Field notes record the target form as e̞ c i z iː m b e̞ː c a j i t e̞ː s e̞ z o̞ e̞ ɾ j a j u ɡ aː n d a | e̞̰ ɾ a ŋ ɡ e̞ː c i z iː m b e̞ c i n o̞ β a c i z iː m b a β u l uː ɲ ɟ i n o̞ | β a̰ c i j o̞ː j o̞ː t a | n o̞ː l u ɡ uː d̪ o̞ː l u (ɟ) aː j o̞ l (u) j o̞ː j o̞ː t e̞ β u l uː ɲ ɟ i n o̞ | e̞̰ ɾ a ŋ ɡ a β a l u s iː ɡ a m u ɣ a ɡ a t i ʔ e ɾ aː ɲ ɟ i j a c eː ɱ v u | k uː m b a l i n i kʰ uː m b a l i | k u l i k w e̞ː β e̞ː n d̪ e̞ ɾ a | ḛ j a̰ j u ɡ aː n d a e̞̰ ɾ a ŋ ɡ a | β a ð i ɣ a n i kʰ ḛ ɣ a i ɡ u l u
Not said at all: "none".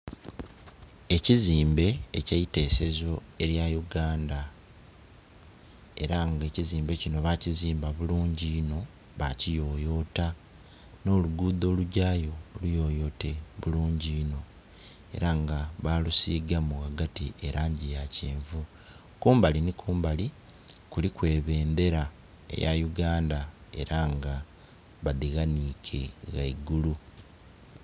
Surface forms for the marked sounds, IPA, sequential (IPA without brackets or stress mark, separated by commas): ɟ, u